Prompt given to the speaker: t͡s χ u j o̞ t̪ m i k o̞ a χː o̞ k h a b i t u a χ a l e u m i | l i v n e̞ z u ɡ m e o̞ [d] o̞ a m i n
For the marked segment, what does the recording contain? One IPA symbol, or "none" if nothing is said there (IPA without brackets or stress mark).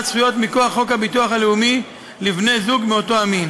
t